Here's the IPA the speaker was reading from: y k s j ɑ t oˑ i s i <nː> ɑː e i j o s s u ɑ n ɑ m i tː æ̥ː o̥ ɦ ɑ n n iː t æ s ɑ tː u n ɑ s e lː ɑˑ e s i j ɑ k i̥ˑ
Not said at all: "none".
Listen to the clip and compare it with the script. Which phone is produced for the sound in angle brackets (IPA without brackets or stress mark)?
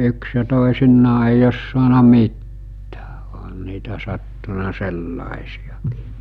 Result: nː